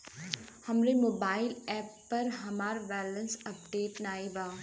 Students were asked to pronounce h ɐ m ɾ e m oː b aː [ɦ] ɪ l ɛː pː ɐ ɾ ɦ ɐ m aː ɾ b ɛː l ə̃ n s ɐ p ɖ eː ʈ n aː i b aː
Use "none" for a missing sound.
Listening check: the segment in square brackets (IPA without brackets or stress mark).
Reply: none